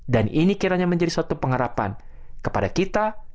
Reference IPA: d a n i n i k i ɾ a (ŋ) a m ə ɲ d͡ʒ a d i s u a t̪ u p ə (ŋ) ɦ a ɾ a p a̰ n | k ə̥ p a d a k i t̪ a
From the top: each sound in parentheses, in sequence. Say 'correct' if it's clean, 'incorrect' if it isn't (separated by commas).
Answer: incorrect, correct